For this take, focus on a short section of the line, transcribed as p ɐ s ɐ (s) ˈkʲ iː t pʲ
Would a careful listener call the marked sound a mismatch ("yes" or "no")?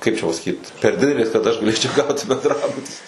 yes